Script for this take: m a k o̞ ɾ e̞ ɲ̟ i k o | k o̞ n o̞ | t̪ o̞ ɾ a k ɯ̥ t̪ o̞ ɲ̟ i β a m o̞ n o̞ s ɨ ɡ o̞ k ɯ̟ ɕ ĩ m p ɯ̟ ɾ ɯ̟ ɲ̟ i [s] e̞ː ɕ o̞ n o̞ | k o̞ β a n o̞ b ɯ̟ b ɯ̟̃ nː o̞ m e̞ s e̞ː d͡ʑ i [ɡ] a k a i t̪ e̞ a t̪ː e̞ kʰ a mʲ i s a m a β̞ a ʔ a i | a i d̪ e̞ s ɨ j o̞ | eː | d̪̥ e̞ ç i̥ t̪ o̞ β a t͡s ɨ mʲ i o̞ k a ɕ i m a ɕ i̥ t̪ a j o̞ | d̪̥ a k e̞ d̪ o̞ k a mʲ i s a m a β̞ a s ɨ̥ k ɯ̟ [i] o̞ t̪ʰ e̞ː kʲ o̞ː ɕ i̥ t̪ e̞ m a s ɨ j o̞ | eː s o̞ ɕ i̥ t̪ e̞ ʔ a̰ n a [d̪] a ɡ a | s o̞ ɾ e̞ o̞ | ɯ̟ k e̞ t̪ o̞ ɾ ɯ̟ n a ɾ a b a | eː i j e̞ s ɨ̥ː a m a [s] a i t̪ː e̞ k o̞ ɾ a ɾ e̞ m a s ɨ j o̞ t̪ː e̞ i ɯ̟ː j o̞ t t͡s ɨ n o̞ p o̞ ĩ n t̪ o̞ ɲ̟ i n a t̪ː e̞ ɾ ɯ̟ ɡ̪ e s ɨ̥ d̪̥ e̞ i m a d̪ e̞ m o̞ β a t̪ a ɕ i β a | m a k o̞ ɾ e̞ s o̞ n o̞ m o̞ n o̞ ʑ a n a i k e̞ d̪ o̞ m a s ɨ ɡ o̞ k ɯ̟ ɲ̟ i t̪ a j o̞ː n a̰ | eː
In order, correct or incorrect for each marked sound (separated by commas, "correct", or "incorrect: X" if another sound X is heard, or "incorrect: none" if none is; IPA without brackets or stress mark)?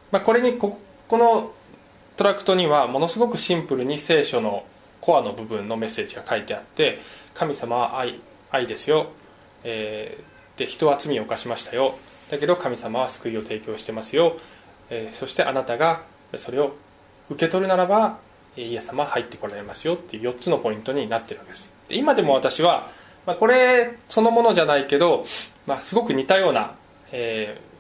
correct, correct, correct, incorrect: t̪, incorrect: h